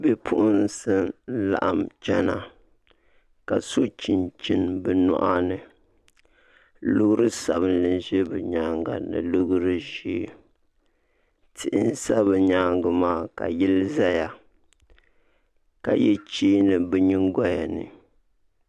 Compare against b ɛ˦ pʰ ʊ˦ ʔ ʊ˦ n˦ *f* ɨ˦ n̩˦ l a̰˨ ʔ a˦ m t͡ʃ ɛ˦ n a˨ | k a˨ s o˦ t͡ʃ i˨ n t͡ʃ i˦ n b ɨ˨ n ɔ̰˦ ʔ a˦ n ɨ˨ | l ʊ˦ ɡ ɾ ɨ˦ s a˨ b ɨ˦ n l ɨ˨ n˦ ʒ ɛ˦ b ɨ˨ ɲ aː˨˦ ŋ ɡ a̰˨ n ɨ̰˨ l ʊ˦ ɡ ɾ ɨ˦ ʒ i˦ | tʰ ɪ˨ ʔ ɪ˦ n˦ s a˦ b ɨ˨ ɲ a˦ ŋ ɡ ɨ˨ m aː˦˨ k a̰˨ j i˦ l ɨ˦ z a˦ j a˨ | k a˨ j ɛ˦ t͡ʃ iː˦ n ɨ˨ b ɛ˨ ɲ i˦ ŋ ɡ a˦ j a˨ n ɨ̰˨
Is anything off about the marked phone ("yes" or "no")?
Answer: yes